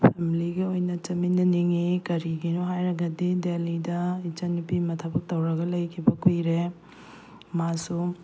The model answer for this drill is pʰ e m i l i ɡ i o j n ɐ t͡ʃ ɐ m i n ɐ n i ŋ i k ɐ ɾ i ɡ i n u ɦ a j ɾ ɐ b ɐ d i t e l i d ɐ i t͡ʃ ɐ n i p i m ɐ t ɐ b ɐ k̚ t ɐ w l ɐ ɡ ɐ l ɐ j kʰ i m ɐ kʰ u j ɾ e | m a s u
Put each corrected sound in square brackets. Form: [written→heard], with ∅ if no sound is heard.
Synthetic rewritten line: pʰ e m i l i ɡ i o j n ɐ t͡ʃ ɐ m i n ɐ n i ŋ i k ɐ ɾ i ɡ i n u ɦ a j ɾ ɐ [b→ɡ] ɐ d i [t→d] e l i d ɐ i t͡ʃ ɐ n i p i m ɐ [t→tʰ] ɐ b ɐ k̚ t ɐ w [l→ɾ] ɐ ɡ ɐ l ɐ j kʰ i [m→b] ɐ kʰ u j ɾ e | m a s u